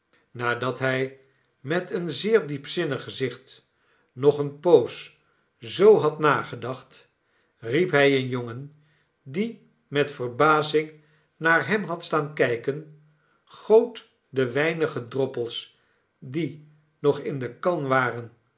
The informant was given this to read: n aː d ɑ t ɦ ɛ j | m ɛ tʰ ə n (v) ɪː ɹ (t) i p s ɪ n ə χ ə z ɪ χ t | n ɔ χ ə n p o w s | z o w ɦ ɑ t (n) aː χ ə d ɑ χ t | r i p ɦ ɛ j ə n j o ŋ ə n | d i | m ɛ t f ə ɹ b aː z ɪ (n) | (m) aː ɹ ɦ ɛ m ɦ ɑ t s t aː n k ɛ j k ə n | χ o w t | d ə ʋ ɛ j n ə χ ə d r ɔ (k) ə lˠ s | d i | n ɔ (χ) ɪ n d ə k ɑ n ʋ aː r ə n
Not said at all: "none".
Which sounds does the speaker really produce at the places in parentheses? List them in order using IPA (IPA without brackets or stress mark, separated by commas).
z, d, n, ŋ, n, p, χ